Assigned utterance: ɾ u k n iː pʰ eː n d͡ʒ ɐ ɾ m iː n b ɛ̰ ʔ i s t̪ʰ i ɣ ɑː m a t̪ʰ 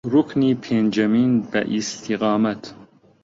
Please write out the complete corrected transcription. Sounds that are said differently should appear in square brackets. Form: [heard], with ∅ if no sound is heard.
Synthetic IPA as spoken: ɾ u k n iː pʰ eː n d͡ʒ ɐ [∅] m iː n b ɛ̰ ʔ i s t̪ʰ i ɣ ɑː m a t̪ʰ